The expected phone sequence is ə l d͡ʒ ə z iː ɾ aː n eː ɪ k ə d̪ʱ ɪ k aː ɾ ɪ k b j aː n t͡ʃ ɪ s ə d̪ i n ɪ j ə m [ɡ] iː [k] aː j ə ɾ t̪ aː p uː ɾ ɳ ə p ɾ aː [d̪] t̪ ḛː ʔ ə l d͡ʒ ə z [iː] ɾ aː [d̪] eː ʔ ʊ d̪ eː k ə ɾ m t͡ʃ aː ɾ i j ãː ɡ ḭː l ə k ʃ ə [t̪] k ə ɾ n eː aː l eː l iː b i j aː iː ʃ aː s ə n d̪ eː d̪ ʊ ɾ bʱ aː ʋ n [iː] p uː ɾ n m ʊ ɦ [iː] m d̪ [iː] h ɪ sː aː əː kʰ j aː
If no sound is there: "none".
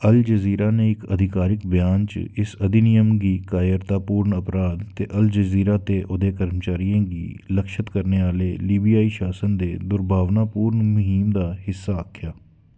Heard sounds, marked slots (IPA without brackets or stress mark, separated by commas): ɡ, k, d̪, iː, t̪, t̪, aː, iː, aː